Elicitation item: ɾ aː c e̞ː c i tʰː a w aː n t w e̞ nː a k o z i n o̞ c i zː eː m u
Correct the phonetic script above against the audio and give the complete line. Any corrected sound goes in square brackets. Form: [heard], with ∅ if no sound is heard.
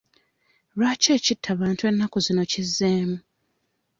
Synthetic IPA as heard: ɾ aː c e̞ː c i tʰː a [β] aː n t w e̞ nː a k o z i n o̞ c i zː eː m u